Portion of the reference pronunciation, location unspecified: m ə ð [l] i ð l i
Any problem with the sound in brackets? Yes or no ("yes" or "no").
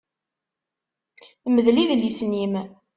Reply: no